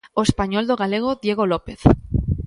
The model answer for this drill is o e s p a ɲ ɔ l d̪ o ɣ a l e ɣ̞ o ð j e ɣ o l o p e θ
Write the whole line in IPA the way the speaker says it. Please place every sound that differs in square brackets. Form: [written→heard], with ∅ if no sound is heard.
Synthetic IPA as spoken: o e s p a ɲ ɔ l d̪ o ɣ a l e ɣ̞ o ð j e ɣ o l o p e θ